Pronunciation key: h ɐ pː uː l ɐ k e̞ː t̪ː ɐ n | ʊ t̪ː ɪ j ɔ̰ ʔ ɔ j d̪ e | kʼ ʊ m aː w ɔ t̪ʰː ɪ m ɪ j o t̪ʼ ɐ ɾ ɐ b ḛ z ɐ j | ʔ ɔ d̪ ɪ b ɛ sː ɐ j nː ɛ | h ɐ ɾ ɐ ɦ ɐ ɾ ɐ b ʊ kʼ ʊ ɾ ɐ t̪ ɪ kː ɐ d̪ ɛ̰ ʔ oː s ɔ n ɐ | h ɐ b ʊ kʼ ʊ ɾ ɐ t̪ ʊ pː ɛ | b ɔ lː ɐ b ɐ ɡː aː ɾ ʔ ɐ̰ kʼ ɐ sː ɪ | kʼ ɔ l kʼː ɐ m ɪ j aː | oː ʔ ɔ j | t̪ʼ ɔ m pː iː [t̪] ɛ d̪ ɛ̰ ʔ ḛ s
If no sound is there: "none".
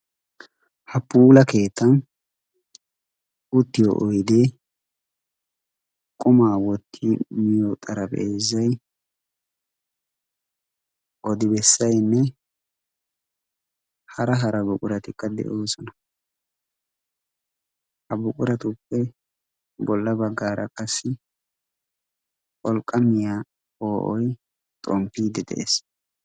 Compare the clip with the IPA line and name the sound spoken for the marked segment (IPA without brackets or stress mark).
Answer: d̪